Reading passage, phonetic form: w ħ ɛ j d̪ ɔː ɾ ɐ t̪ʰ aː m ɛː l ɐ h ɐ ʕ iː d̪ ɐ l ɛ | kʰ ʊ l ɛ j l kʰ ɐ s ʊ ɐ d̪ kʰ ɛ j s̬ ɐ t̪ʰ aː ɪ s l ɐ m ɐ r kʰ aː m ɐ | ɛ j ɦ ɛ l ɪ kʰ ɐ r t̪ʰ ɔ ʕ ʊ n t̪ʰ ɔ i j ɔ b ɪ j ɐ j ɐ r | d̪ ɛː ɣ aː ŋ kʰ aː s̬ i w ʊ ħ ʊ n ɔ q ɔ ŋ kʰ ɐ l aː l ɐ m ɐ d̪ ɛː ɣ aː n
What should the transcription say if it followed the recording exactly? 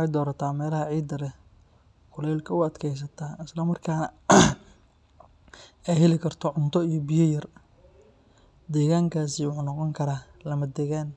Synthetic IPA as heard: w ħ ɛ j d̪ ɔː ɾ ɐ t̪ʰ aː m ɛː l ɐ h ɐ ʕ iː d̪ ɐ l ɛ | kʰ ʊ l ɛ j l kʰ ɐ ʊ ɐ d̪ kʰ ɛ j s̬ ɐ t̪ʰ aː ɪ s l ɐ m ɐ r kʰ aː n ɐ | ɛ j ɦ ɛ l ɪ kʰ ɐ r t̪ʰ ɔ ʕ ʊ n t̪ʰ ɔ i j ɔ b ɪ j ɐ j ɐ r | d̪ ɛː ɣ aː ŋ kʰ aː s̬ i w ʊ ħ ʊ n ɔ q ɔ ŋ kʰ ɐ ɾ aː l ɐ m ɐ d̪ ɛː ɣ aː n